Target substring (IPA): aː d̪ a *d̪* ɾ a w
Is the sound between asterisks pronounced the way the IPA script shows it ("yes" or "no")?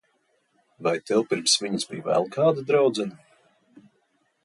yes